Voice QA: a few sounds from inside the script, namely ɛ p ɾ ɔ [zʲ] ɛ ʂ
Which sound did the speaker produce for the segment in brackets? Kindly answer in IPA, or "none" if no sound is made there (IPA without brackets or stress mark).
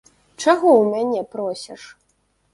sʲ